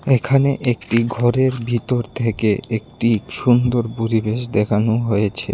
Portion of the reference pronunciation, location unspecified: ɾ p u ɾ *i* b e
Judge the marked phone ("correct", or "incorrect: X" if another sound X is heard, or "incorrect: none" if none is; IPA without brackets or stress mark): correct